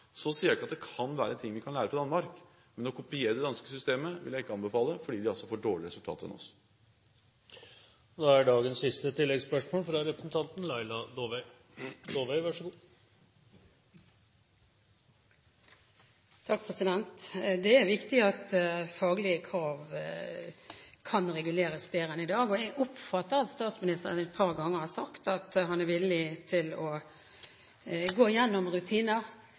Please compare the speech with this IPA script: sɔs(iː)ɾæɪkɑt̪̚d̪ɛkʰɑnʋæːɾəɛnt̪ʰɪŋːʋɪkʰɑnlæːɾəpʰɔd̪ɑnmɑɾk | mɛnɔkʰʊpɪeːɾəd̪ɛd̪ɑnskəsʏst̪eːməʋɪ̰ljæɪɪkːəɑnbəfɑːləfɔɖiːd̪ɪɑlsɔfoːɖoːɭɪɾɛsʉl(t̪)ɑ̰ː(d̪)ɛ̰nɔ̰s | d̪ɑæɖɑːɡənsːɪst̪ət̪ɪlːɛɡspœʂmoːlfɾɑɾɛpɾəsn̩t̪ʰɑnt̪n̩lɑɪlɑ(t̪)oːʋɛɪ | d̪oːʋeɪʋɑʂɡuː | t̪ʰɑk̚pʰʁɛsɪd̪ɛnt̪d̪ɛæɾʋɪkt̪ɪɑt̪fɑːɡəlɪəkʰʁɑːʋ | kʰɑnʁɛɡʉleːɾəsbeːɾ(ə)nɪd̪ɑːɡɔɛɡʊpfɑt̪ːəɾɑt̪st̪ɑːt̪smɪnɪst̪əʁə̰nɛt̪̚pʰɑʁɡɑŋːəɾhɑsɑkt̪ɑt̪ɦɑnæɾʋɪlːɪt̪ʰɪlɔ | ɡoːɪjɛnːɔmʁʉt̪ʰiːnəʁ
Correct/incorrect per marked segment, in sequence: correct, incorrect, incorrect, incorrect, correct

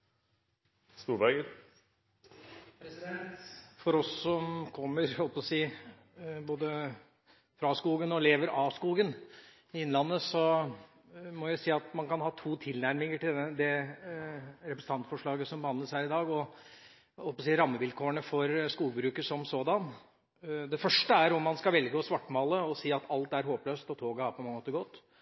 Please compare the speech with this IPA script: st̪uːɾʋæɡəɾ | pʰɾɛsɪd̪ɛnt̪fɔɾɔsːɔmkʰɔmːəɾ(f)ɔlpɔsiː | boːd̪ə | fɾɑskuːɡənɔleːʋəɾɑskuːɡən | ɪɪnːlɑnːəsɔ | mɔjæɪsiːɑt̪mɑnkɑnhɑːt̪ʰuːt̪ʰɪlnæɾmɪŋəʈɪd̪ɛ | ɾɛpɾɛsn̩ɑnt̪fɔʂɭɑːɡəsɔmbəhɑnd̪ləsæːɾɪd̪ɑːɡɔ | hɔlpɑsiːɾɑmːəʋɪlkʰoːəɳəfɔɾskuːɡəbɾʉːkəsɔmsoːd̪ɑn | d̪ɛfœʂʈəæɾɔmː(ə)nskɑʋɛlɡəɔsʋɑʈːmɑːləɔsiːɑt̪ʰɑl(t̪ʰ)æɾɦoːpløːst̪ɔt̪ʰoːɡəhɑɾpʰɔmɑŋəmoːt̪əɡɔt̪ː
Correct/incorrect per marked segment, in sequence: incorrect, incorrect, incorrect

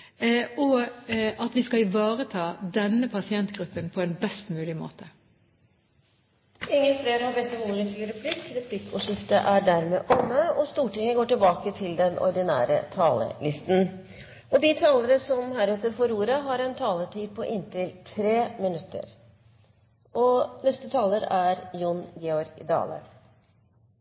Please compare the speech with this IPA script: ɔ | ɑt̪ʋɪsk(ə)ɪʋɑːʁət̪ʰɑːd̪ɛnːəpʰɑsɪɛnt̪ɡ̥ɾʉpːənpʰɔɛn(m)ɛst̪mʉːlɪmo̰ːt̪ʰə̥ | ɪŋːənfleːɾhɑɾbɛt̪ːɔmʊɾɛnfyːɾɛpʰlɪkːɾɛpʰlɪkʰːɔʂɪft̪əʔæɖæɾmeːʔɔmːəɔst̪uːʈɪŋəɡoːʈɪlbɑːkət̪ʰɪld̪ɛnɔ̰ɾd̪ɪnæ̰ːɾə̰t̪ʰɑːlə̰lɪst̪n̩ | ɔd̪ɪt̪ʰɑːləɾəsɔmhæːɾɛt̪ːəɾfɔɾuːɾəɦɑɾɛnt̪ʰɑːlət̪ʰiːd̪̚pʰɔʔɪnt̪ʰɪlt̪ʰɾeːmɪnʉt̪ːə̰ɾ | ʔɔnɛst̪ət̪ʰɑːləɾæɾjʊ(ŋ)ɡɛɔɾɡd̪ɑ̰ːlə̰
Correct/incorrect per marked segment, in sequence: incorrect, incorrect, incorrect

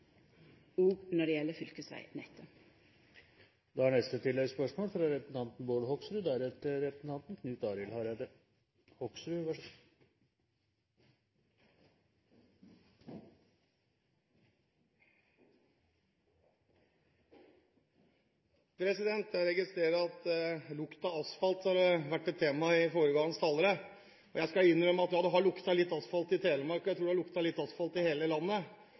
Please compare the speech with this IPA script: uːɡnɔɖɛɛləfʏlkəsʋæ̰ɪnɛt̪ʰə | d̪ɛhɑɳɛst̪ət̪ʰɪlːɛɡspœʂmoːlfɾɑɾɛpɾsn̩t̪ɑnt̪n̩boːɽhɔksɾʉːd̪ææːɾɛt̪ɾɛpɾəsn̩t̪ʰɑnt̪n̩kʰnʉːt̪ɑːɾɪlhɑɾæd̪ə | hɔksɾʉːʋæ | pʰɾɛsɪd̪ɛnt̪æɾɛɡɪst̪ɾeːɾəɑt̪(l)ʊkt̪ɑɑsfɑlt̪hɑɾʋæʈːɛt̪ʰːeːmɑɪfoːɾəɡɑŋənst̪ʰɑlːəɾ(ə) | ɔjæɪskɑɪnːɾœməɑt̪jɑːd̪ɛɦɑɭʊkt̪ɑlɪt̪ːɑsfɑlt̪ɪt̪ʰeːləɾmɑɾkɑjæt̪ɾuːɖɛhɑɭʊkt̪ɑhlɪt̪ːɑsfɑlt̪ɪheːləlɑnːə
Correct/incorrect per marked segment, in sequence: correct, correct

